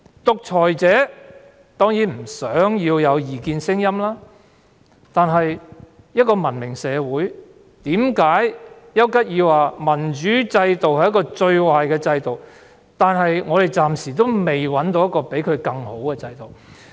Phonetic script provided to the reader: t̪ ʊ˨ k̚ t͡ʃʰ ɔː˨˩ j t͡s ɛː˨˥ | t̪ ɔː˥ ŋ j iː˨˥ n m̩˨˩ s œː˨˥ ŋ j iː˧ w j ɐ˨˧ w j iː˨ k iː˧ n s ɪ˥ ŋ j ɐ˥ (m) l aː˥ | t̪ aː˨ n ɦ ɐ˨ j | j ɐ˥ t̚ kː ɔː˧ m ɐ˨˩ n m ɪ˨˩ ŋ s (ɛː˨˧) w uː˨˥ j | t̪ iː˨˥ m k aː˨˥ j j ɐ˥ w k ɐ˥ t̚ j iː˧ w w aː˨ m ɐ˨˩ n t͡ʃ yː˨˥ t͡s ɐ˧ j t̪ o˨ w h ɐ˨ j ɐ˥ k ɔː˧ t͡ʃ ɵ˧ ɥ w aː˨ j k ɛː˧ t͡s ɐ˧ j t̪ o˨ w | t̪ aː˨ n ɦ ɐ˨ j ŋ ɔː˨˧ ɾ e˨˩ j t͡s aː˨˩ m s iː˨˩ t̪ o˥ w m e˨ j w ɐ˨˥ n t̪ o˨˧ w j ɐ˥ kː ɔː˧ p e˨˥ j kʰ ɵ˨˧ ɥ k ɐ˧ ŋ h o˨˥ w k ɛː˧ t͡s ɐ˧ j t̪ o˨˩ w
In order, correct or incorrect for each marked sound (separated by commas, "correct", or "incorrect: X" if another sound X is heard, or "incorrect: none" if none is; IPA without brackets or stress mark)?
correct, correct